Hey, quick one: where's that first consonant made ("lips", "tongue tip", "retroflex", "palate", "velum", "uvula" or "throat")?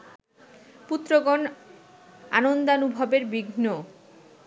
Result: lips